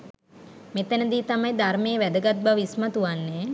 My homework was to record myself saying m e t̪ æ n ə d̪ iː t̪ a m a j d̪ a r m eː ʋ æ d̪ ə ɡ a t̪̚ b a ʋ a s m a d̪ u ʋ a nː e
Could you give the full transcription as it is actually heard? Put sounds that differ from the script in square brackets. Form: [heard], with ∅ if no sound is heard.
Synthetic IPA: m e t̪ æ n ə d̪ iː t̪ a m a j d̪ a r m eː ʋ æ d̪ ə ɡ a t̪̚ b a ʋ [i] s m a [t̪] u ʋ a nː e